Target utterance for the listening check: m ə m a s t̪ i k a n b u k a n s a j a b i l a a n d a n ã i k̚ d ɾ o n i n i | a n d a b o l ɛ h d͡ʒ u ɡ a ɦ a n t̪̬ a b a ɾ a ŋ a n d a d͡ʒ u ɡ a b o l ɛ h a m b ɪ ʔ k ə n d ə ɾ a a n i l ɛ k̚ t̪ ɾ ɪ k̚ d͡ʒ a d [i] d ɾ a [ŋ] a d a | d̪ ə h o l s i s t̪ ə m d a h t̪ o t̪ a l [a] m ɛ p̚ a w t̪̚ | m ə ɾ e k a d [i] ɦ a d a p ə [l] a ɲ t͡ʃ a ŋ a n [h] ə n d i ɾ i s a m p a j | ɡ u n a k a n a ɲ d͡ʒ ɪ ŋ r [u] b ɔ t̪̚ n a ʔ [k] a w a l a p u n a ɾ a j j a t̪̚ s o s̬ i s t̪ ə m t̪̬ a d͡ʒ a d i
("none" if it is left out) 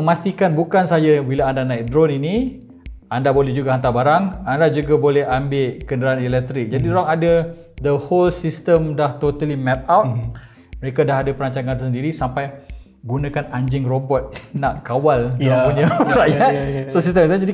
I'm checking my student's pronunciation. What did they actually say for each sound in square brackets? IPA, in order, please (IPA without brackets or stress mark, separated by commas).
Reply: i, ŋ, i, a, ɾ, s, o, k